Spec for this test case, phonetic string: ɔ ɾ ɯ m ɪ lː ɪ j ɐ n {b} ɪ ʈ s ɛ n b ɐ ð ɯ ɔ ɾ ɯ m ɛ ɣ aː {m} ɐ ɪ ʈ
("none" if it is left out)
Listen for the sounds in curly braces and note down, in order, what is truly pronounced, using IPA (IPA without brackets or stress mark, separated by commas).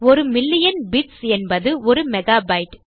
b, b